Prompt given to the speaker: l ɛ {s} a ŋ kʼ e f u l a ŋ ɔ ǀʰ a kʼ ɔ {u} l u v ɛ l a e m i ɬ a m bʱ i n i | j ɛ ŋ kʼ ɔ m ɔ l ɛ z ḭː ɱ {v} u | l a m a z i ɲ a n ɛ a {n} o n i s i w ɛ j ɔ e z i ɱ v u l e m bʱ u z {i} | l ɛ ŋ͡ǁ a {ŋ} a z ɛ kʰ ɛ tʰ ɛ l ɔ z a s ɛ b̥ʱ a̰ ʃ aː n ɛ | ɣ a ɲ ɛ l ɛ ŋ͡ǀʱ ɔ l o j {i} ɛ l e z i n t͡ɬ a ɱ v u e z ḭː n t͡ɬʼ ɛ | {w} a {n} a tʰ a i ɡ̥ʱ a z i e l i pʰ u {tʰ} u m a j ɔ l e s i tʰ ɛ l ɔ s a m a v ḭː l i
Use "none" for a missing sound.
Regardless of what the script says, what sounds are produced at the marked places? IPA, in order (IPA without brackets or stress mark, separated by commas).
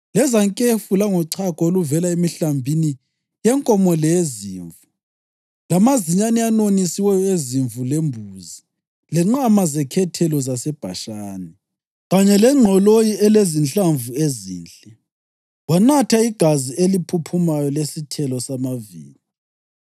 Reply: z, o, v, n, i, m, i, w, n, pʰ